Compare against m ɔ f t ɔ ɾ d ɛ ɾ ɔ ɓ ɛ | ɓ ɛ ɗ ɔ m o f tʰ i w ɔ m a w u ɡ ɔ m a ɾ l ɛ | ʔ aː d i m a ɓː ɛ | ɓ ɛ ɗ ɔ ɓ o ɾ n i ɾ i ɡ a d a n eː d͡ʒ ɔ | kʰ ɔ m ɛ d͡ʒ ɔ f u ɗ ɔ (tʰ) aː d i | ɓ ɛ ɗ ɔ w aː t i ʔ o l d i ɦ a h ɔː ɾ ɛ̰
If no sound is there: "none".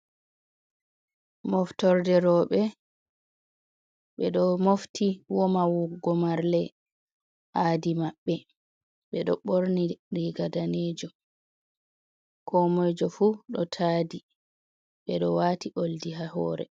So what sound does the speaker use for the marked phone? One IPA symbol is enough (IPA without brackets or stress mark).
tʰ